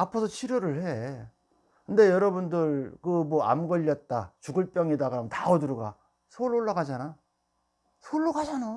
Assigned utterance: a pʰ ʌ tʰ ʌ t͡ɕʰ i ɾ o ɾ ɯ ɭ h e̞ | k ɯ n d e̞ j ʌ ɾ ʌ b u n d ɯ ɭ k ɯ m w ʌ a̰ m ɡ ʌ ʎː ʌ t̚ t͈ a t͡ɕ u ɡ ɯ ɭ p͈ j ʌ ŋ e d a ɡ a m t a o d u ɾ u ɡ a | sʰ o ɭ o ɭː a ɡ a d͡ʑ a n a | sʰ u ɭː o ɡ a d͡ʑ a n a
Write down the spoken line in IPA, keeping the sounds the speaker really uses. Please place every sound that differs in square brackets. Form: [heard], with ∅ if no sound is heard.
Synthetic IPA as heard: a pʰ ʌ [sʰ] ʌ t͡ɕʰ i ɾ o ɾ ɯ ɭ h e̞ | k ɯ n d e̞ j ʌ ɾ ʌ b u n d ɯ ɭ k ɯ m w ʌ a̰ m ɡ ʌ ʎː ʌ t̚ t͈ a t͡ɕ u ɡ ɯ ɭ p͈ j ʌ ŋ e d a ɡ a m t a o d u ɾ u ɡ a | sʰ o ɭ o ɭː a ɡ a d͡ʑ a n a | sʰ [o] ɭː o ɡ a d͡ʑ a n a